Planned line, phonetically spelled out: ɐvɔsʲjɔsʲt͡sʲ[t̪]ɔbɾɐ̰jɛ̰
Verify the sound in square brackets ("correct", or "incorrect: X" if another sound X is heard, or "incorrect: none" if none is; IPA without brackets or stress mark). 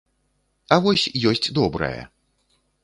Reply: incorrect: d̪